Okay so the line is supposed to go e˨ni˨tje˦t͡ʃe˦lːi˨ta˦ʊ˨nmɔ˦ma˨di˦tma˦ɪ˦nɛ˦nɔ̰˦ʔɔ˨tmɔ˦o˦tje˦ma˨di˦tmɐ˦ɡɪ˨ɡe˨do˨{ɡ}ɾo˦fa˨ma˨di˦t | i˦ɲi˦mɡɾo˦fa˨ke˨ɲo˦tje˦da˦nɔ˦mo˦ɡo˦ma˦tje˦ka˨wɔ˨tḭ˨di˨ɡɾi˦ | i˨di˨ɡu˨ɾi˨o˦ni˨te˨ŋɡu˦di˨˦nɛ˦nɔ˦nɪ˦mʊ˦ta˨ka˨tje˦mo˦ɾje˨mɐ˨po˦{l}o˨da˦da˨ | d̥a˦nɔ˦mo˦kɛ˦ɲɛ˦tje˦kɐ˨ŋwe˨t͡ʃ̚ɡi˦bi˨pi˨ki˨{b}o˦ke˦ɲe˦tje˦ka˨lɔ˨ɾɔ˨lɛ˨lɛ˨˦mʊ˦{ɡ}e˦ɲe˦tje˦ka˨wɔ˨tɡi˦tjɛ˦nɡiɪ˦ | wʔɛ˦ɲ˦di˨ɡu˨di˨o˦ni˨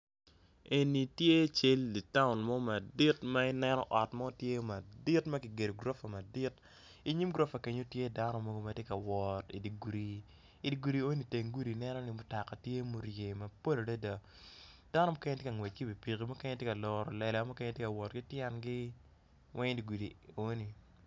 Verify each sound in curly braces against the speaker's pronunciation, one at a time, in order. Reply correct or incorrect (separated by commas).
correct, correct, incorrect, incorrect